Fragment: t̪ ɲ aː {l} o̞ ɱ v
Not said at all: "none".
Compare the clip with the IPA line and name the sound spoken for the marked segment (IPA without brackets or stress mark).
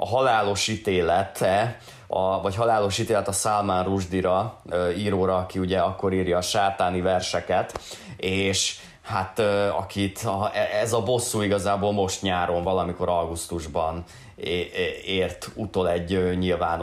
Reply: ɾ